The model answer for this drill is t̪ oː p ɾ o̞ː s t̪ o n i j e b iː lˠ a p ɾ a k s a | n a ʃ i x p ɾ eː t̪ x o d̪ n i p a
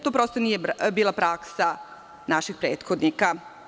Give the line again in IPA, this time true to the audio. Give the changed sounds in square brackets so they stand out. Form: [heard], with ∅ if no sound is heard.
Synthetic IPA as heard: t̪ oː p ɾ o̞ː s t̪ o n i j e b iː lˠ a p ɾ a k s a | n a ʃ i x p ɾ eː t̪ x o d̪ n i [k] a